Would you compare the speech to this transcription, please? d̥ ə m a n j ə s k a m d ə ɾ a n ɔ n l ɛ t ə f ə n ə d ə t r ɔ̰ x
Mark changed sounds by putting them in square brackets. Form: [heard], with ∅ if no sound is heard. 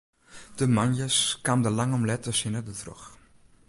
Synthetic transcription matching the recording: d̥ ə m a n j ə s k a m d ə [l] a [ŋ] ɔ [m] l ɛ t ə [s] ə n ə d ə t r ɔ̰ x